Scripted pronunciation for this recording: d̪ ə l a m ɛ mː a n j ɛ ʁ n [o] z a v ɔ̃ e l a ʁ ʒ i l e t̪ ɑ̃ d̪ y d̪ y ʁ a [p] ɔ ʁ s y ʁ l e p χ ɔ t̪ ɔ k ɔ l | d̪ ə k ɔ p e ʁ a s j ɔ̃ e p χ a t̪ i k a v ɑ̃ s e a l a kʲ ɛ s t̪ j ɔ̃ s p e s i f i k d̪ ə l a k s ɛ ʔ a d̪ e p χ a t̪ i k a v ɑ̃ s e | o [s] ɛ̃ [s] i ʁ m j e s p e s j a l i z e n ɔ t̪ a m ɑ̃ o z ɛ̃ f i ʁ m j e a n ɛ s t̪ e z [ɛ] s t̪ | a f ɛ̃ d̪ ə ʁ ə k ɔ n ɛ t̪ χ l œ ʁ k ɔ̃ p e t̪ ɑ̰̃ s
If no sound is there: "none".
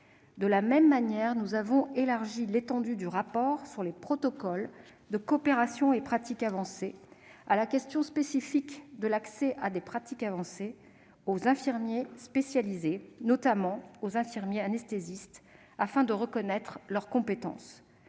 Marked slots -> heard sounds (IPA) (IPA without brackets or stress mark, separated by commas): u, p, z, f, i